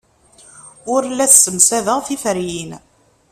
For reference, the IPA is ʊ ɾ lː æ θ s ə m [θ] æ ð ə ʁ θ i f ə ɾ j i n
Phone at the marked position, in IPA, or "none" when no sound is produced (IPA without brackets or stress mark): s